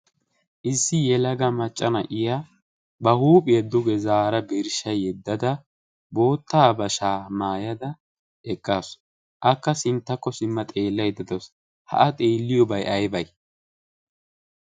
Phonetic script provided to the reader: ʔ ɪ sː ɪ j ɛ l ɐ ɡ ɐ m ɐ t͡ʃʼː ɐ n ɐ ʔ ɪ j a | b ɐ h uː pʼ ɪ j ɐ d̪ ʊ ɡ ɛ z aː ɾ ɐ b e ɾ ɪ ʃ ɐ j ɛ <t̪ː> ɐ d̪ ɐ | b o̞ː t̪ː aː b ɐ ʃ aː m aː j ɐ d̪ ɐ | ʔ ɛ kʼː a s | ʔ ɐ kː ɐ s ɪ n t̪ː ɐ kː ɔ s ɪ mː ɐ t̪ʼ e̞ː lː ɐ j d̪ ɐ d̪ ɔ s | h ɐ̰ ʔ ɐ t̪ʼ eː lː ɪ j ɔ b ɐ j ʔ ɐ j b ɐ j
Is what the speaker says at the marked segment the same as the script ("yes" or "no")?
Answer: no